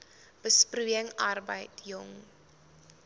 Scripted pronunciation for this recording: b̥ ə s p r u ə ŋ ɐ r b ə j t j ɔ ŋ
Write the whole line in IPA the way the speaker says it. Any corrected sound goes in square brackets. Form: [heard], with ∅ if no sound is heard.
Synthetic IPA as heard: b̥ ə s p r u ə ŋ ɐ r b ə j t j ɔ ŋ